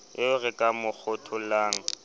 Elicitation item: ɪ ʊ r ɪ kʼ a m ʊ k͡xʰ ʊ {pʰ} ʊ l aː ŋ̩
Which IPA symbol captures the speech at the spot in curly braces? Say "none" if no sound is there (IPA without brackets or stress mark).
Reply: tʰ